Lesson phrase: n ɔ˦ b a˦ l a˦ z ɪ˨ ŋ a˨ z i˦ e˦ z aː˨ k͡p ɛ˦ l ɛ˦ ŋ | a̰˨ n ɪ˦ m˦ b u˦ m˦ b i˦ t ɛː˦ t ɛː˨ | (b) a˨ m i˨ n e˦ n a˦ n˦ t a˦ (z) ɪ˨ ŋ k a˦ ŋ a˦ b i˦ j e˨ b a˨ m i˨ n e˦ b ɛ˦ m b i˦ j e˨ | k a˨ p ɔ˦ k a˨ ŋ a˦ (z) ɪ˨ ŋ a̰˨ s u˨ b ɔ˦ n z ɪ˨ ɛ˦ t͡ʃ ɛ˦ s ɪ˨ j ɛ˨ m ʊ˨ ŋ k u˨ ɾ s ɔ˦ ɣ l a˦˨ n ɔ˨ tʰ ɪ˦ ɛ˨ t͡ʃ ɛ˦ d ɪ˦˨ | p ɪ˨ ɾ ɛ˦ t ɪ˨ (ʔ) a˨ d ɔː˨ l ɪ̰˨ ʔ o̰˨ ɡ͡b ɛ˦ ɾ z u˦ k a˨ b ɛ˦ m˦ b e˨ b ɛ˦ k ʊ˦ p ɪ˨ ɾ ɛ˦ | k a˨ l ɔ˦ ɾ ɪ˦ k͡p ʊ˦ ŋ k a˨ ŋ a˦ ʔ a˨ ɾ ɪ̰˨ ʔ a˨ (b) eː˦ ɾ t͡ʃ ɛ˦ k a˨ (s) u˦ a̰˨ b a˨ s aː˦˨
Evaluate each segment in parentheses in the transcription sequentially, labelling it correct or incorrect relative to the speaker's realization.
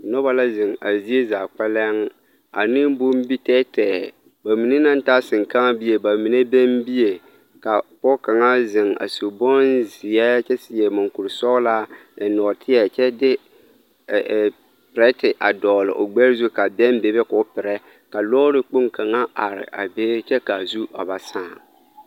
correct, incorrect: s, correct, correct, correct, incorrect: z

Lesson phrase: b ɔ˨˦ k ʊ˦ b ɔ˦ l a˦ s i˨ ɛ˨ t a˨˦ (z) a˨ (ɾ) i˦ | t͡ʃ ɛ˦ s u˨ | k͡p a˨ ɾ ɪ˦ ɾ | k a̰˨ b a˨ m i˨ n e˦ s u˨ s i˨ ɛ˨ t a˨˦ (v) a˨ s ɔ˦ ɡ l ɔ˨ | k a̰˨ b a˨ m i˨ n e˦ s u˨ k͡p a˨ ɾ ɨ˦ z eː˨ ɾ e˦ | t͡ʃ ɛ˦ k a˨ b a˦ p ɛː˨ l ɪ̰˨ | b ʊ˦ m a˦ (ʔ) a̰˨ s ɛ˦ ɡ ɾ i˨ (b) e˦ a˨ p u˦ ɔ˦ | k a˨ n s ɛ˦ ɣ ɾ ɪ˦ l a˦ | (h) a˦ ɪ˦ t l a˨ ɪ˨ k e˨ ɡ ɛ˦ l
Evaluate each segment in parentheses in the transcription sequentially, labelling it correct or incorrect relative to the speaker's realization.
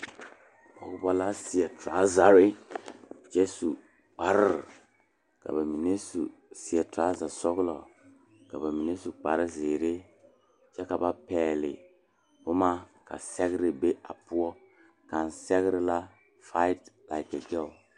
correct, correct, incorrect: z, incorrect: k, correct, incorrect: f

